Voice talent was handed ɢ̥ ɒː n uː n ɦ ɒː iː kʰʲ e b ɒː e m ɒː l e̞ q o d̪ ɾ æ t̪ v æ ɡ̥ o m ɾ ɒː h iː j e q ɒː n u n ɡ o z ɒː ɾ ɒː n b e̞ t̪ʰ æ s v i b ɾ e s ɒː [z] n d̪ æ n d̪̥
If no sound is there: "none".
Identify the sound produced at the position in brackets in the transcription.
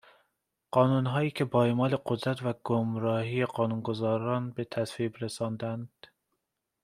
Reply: none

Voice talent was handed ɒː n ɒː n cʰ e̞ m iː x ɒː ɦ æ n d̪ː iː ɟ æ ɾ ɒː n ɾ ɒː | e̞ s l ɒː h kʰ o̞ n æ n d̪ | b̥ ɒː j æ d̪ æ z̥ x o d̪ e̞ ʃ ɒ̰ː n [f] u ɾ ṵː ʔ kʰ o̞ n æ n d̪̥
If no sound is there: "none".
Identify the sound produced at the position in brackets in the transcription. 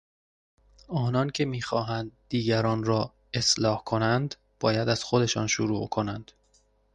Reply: ʃ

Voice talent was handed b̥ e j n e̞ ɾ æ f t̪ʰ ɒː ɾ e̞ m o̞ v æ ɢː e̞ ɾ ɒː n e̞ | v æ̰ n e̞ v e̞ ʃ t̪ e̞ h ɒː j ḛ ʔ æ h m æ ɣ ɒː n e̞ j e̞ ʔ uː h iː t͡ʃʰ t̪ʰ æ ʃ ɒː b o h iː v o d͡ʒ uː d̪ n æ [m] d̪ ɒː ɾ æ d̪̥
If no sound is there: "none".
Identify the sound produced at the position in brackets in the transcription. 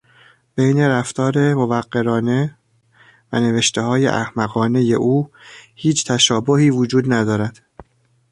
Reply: none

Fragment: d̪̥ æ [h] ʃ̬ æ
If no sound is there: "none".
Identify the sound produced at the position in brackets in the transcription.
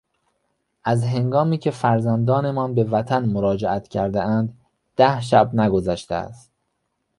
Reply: h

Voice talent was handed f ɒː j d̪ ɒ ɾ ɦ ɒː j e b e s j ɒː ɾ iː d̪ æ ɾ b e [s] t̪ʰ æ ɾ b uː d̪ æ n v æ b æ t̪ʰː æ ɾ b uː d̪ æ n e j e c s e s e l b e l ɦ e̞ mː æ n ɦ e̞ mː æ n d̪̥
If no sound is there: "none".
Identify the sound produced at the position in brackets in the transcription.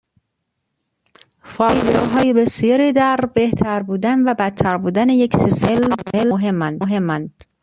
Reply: h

